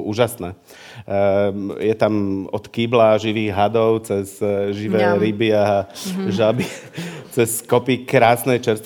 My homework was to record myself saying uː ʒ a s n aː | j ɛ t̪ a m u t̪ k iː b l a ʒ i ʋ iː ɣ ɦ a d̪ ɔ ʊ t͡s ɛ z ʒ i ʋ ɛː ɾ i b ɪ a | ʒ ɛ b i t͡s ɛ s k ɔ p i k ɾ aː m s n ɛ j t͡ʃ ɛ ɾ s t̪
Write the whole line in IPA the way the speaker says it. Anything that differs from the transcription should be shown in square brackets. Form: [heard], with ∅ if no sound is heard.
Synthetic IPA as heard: uː ʒ a s n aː | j ɛ t̪ a m [ɔ] t̪ k iː b l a ʒ i ʋ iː ɣ ɦ a d̪ ɔ ʊ t͡s ɛ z ʒ i ʋ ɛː ɾ i b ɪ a | ʒ [a] b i t͡s ɛ s k ɔ p i k ɾ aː [∅] s n ɛ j t͡ʃ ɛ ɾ s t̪